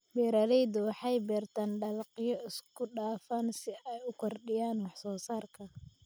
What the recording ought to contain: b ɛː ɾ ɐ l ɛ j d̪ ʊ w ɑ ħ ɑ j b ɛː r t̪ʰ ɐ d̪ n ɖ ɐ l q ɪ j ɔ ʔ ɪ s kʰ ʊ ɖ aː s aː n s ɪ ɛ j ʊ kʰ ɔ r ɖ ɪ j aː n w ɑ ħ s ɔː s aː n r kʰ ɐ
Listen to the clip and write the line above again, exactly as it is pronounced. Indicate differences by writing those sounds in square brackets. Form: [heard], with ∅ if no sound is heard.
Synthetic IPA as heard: b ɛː ɾ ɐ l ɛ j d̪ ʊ w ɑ ħ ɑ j b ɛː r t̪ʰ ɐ [∅] n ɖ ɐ l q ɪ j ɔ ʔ ɪ s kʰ ʊ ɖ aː [f] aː n s ɪ ɛ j ʊ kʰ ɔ r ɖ ɪ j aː n w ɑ ħ s ɔː s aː [∅] r kʰ ɐ

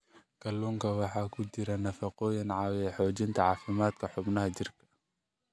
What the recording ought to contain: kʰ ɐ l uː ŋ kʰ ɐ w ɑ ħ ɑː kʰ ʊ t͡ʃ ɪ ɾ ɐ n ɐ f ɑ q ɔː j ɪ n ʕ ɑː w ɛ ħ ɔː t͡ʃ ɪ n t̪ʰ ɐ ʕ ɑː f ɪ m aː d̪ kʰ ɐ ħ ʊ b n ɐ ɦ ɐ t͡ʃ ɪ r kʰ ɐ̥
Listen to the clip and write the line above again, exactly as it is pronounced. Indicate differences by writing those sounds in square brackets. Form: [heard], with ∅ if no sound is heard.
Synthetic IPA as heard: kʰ ɐ l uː ŋ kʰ ɐ w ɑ ħ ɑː kʰ ʊ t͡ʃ ɪ ɾ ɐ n ɐ f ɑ q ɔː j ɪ n ʕ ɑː w ɛ ħ ɔː t͡ʃ ɪ n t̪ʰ ɐ ʕ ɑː f ɪ m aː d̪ kʰ ɐ ħ ʊ b n ɐ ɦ ɐ t͡ʃ ɪ r kʰ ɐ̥

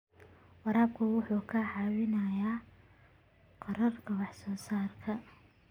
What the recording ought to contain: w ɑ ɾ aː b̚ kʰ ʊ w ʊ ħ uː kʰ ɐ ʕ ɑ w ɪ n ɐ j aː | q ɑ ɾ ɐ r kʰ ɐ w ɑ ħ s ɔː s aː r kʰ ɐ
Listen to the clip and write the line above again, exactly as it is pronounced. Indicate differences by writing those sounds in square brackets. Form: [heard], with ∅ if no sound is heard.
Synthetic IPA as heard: w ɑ ɾ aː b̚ kʰ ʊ w ʊ ħ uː kʰ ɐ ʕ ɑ w ɪ n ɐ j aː | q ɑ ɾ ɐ r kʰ ɐ w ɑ ħ s ɔː s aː r kʰ ɐ

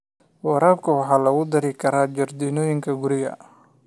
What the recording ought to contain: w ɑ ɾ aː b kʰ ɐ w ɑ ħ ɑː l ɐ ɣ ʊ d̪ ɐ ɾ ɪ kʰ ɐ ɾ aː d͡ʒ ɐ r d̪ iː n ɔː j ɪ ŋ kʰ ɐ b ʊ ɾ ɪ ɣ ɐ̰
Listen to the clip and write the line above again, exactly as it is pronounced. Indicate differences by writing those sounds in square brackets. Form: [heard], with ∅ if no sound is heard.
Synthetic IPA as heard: w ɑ ɾ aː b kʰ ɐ w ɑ ħ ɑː l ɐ ɣ ʊ d̪ ɐ ɾ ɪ kʰ ɐ ɾ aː d͡ʒ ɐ r d̪ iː n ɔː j ɪ ŋ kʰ ɐ [ɡ] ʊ ɾ ɪ ɣ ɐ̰

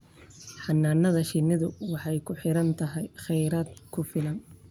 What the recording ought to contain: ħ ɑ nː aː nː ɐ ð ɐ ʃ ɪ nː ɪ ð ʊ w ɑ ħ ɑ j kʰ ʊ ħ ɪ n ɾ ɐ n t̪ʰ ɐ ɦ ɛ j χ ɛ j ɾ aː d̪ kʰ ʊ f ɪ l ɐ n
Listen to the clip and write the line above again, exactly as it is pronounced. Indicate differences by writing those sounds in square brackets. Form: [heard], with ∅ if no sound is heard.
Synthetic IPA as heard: ħ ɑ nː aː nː ɐ ð ɐ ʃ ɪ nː ɪ ð ʊ w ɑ ħ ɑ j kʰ ʊ ħ ɪ [∅] ɾ ɐ n t̪ʰ ɐ ɦ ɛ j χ ɛ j ɾ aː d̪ kʰ ʊ f ɪ l ɐ n

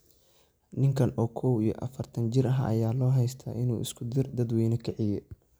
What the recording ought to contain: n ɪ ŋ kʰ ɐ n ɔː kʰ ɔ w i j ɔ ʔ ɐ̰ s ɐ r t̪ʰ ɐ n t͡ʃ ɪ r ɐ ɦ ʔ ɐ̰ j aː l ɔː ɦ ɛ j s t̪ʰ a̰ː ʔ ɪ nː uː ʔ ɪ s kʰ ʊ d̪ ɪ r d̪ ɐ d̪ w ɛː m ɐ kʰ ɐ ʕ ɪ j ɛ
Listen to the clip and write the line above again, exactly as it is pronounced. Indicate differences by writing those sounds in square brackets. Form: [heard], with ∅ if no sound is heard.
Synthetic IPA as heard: n ɪ ŋ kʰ ɐ n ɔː kʰ ɔ w i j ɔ ʔ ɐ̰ [f] ɐ r t̪ʰ ɐ n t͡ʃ ɪ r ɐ ɦ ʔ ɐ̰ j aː l ɔː ɦ ɛ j s t̪ʰ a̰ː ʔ ɪ [n] uː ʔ ɪ s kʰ ʊ d̪ ɪ r d̪ ɐ d̪ w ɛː [n] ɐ kʰ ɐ ʕ ɪ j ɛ

